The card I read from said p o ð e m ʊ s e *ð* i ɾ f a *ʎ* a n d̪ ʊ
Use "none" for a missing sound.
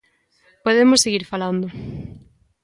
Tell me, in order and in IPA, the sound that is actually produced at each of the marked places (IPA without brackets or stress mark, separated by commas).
ɣ, l